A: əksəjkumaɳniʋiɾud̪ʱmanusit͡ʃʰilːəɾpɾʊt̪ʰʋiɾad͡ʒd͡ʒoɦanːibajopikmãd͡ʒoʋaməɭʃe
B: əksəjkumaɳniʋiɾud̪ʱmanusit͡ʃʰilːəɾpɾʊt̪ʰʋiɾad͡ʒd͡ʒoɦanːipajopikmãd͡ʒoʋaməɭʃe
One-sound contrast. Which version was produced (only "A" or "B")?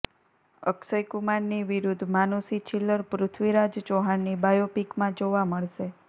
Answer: A